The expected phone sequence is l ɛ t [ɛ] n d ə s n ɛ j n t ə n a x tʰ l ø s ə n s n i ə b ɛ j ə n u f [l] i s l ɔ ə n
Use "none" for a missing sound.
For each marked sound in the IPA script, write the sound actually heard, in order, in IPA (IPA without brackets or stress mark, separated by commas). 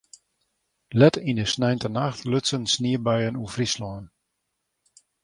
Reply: i, r